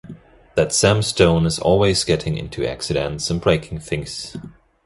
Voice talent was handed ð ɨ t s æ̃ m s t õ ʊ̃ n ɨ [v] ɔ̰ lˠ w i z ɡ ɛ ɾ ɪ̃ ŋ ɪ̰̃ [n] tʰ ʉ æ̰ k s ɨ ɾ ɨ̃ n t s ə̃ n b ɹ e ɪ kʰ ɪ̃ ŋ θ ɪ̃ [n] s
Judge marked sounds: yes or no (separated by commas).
no, yes, no